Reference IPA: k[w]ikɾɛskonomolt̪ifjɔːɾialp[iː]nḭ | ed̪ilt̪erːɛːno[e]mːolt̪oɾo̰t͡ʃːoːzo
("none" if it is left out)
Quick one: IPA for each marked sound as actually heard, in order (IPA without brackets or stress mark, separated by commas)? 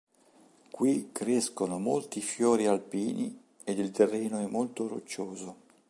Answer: w, iː, ɛ